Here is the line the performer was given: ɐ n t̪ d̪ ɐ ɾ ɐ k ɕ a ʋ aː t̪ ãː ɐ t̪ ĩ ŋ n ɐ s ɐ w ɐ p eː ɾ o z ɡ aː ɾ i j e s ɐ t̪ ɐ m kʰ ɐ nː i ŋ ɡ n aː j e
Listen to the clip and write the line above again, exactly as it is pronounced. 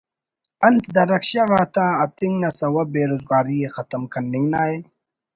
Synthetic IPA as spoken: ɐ n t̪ d̪ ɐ ɾ ɐ k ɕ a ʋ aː t̪ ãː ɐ t̪ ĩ ŋ n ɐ s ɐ w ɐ b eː ɾ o z ɡ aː ɾ i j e x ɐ t̪ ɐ m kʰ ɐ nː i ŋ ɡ n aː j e

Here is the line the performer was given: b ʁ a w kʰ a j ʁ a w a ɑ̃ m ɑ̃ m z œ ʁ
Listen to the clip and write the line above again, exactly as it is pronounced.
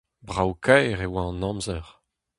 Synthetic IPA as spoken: b ʁ a w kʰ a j ʁ e w a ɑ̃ n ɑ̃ m z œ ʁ

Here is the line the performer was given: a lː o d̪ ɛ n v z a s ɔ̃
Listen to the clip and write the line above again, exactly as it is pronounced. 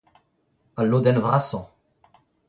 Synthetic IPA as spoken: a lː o d̪ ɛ n v ʁ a s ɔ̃

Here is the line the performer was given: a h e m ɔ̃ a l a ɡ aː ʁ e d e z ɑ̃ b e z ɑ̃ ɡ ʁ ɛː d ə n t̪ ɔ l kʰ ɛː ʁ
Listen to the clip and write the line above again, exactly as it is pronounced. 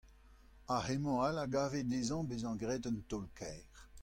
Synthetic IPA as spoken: a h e m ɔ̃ a l a ɡ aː v e d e z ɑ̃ b e z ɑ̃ ɡ ʁ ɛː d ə n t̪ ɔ l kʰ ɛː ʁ

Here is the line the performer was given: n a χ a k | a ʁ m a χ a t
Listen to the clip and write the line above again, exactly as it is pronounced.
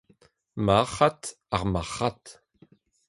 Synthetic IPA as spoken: m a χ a t | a ʁ m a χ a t

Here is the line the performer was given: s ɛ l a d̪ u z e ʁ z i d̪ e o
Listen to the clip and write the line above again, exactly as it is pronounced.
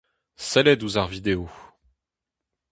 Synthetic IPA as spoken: s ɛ l ɛ d̪ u z a ʁ v i d̪ e o

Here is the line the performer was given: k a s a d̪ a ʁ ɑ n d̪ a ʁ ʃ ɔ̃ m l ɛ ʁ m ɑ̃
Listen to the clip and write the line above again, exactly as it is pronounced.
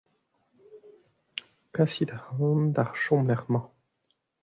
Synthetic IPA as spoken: k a s i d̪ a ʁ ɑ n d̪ a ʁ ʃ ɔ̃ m l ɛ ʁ m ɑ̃

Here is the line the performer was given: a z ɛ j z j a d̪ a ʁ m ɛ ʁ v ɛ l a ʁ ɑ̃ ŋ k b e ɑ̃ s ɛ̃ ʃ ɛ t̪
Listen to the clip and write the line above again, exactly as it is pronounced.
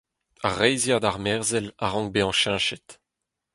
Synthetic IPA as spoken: a ʁ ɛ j z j a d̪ a ʁ m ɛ ʁ z ɛ l a ʁ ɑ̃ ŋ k b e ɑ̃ ʃ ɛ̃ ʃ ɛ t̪

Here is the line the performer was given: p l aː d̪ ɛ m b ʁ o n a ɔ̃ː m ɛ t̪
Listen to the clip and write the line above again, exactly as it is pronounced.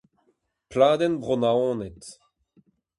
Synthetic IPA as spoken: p l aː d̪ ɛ n b ʁ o n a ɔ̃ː n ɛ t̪

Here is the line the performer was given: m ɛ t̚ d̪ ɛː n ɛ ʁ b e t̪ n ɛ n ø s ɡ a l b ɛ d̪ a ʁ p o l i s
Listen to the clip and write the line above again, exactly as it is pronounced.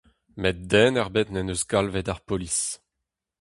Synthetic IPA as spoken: m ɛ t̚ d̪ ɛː n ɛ ʁ b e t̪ n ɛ n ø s ɡ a l v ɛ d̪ a ʁ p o l i s

